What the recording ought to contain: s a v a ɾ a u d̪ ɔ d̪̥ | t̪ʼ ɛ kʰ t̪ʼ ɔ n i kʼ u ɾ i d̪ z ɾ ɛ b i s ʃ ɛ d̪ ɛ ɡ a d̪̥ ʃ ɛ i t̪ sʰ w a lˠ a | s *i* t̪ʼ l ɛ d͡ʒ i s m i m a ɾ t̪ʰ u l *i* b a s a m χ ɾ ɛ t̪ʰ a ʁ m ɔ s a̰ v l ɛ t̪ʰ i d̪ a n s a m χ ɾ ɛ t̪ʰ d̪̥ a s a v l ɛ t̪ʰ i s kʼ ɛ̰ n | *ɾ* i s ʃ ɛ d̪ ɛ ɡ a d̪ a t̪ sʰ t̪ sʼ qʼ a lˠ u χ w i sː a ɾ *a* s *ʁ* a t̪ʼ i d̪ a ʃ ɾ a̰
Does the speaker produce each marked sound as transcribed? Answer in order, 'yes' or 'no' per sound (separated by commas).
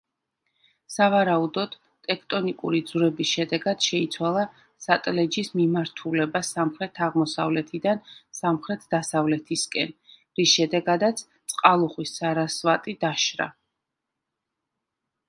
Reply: no, no, yes, yes, no